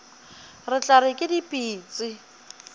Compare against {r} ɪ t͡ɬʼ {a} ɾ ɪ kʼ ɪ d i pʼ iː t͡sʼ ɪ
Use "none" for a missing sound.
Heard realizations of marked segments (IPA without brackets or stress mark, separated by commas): r, a